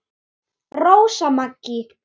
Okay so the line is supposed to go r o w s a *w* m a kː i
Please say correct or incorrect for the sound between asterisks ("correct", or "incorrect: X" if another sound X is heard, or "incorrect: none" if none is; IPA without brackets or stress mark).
incorrect: none